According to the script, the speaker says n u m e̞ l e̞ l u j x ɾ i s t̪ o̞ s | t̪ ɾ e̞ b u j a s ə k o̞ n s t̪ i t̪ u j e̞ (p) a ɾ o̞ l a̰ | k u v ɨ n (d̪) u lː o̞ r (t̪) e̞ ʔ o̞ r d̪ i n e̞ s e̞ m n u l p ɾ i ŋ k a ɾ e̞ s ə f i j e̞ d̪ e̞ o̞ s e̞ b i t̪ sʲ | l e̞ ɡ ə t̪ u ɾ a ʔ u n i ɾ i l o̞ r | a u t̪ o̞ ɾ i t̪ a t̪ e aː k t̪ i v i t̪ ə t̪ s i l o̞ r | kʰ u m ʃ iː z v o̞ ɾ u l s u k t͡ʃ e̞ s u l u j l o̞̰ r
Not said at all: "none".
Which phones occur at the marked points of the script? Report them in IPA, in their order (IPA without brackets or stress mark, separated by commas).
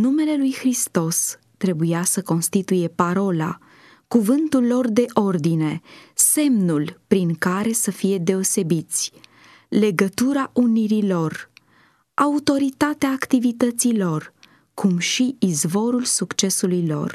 p, t̪, d̪